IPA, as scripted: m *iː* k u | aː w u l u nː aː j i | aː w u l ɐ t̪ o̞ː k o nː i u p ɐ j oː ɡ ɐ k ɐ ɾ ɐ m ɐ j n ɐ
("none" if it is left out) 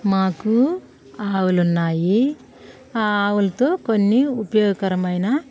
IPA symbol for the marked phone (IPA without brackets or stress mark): aː